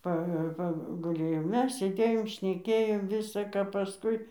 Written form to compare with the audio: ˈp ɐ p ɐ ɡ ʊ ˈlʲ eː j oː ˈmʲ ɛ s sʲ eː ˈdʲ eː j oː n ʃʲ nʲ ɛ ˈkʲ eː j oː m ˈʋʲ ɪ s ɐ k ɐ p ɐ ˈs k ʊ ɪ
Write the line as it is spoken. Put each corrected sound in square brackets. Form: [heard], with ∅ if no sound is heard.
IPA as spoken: ˈp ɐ p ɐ ɡ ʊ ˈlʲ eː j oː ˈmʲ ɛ s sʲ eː ˈdʲ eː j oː [m] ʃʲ nʲ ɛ ˈkʲ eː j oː m ˈʋʲ ɪ s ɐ k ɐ p ɐ ˈs k ʊ ɪ